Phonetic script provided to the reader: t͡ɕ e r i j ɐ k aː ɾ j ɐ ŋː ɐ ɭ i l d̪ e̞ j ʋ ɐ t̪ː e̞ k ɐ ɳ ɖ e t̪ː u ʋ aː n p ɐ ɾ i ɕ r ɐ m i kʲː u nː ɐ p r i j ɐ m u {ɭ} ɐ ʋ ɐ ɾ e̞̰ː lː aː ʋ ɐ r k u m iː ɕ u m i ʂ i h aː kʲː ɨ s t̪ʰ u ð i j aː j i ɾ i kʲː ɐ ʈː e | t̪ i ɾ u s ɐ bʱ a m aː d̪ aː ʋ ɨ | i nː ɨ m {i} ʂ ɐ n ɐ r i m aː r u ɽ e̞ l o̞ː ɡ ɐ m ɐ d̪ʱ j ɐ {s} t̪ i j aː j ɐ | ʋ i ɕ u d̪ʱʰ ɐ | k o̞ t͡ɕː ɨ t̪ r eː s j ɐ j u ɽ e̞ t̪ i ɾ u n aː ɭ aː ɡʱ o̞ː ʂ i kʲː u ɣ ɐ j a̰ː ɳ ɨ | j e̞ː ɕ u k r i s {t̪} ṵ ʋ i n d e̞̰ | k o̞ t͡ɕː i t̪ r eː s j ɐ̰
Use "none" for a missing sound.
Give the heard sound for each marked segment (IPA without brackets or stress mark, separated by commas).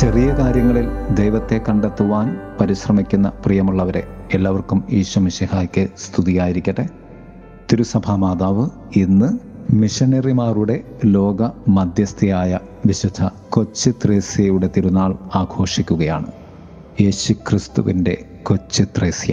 ɭː, i, s, t̪